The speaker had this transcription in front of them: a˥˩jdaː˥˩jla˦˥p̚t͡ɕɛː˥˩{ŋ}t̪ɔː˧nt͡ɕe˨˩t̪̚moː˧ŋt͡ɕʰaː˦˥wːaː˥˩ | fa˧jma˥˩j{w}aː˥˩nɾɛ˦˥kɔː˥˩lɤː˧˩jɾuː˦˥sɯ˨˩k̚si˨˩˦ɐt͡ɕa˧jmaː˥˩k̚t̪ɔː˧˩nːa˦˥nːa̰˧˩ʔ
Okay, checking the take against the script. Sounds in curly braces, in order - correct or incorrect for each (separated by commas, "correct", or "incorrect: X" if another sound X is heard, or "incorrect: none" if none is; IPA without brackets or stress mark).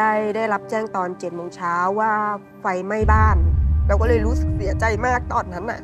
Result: correct, incorrect: b